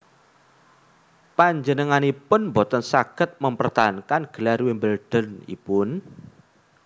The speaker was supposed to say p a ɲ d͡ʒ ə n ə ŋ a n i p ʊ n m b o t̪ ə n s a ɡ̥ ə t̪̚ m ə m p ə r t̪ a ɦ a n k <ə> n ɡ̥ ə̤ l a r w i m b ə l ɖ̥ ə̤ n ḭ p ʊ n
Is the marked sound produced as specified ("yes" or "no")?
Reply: no